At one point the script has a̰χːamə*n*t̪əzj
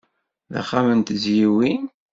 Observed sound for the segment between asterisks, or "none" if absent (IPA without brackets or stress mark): n